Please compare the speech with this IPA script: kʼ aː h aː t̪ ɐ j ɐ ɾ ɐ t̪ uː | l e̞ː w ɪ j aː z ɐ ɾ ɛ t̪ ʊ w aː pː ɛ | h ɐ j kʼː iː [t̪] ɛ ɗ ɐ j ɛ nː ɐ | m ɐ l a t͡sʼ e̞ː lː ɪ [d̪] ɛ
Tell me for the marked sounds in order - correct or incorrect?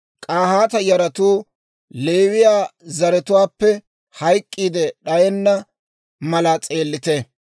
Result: incorrect: d̪, incorrect: t̪

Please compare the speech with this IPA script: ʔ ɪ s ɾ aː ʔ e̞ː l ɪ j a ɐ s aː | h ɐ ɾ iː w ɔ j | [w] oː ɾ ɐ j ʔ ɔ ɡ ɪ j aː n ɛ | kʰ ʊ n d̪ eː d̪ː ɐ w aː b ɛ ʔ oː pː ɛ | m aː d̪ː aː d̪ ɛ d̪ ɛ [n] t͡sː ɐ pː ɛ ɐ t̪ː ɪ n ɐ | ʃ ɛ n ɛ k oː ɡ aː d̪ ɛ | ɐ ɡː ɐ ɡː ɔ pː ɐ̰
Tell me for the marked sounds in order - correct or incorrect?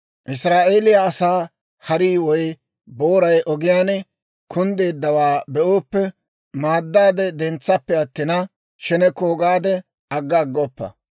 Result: incorrect: b, correct

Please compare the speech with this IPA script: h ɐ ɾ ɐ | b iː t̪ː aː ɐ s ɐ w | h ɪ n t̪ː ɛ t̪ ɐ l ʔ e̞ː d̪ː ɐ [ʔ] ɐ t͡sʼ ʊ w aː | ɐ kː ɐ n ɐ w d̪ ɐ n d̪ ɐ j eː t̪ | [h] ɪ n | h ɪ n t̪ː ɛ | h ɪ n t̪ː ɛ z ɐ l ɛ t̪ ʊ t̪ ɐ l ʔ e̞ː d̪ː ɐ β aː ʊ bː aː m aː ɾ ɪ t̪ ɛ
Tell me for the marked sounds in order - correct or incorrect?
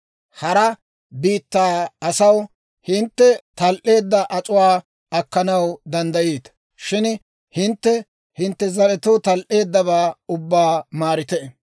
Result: correct, incorrect: ʃ

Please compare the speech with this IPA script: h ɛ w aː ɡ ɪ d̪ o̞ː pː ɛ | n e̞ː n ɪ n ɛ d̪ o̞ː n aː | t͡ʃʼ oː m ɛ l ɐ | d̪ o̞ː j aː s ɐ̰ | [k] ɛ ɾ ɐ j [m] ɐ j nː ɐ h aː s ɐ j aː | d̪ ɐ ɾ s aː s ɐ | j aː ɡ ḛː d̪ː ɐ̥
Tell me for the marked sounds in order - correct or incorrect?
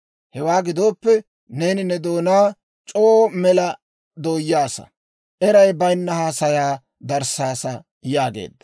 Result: incorrect: ʔ, incorrect: b

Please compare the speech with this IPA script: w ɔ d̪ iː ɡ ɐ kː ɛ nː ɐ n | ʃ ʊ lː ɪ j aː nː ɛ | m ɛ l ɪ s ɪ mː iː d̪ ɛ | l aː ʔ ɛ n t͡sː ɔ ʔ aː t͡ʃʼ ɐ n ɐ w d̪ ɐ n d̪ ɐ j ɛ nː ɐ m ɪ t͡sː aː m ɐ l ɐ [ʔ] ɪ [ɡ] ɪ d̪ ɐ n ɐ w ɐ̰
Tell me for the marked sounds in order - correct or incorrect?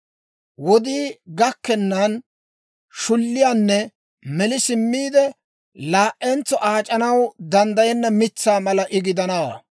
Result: correct, correct

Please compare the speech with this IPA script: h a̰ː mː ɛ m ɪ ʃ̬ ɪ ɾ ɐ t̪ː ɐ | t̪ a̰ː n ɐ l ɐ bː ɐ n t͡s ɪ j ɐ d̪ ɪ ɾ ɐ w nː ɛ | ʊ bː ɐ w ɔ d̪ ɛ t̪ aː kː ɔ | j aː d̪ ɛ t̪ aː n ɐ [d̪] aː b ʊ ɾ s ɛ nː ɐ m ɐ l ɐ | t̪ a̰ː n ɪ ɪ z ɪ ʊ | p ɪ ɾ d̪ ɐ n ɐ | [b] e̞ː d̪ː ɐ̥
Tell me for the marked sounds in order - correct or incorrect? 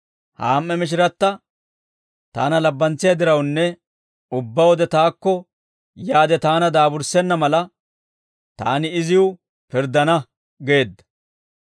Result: correct, incorrect: ɡ

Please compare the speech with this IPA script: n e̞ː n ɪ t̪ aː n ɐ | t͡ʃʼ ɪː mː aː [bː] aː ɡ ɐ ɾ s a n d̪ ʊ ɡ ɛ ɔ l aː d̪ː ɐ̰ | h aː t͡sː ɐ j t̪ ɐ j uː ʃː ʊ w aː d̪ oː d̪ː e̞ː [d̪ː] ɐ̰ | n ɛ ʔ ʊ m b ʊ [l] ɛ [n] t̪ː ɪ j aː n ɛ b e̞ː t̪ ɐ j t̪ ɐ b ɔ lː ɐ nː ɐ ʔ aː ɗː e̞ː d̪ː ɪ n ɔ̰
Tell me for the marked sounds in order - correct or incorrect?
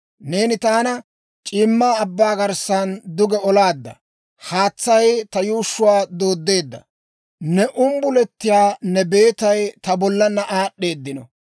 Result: correct, correct, correct, incorrect: none

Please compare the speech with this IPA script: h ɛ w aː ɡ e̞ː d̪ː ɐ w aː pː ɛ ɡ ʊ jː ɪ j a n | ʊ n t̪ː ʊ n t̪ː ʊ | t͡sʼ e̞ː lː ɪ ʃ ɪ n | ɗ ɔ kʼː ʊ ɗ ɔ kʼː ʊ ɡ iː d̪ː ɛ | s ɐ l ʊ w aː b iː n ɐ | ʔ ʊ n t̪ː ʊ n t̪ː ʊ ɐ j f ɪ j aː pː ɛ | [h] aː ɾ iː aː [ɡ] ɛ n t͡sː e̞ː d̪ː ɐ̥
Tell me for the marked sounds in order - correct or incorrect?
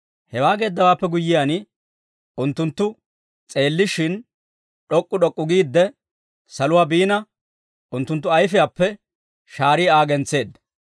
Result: incorrect: ʃ, correct

